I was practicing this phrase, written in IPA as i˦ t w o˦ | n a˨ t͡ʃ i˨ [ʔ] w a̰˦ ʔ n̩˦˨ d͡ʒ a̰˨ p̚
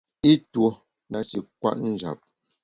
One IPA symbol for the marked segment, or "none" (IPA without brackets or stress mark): k